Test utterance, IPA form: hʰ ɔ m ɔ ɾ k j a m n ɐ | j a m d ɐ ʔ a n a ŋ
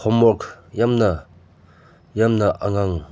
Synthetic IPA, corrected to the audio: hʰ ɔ m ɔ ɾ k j a m n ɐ | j a m n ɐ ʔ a ŋ a ŋ